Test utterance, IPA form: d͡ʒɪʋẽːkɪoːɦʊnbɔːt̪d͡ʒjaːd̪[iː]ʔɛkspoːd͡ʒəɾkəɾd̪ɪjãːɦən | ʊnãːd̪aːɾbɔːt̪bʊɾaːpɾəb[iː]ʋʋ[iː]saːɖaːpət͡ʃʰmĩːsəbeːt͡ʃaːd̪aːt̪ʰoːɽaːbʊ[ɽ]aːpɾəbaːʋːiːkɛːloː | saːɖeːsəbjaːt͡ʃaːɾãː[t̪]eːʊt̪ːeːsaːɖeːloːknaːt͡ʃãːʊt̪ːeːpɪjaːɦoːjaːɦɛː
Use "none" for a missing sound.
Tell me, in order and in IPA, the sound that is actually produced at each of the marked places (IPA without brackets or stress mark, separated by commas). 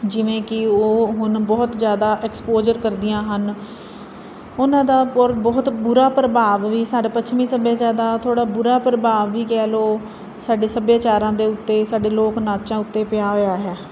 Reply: aː, aː, iː, ɾ, d̪